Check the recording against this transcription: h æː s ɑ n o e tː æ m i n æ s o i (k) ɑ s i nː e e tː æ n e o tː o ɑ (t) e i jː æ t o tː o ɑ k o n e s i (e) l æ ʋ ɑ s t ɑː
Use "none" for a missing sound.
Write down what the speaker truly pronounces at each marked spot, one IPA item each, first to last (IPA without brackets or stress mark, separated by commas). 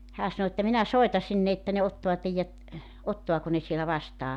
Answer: t, t, e